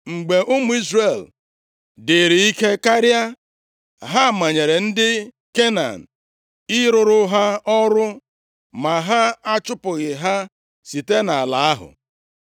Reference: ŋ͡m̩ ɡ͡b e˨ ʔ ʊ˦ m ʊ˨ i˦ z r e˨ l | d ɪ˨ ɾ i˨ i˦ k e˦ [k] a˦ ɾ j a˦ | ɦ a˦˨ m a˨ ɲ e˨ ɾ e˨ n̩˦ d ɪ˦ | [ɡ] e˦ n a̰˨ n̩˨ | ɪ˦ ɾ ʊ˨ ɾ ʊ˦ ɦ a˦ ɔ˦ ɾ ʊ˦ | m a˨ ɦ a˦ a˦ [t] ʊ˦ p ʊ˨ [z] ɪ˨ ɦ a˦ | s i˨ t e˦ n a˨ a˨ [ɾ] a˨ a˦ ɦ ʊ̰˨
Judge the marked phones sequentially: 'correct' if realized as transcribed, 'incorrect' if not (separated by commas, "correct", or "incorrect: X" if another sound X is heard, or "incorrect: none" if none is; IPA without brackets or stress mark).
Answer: correct, incorrect: k, incorrect: t͡ʃ, incorrect: ɣ, incorrect: l